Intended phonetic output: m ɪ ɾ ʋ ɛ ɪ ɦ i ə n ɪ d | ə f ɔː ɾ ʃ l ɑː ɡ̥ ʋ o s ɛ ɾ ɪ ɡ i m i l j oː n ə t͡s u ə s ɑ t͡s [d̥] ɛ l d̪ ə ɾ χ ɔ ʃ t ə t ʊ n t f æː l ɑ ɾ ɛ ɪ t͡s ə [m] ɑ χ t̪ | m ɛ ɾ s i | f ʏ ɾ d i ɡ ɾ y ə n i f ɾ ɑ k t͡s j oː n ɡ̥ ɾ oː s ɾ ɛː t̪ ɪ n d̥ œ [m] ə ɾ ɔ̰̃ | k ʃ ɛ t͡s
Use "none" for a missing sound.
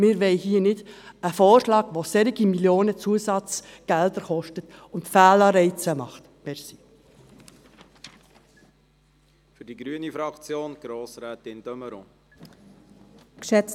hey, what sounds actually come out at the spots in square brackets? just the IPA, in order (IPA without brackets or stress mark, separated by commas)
ɡ̥, m, m